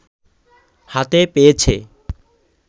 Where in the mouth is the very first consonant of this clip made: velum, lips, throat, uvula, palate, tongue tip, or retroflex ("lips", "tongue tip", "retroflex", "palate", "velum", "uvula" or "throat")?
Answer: throat